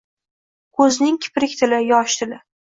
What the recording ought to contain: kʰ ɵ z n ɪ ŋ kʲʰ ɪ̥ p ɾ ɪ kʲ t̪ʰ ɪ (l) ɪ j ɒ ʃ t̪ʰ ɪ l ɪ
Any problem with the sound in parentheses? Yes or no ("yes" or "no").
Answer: no